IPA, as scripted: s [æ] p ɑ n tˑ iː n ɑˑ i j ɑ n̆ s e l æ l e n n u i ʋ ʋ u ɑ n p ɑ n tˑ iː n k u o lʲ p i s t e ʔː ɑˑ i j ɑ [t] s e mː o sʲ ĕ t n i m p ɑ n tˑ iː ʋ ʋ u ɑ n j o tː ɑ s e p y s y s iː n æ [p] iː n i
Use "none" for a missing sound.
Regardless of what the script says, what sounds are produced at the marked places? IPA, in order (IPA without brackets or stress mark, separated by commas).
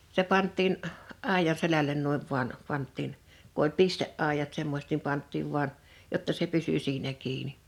e, t, k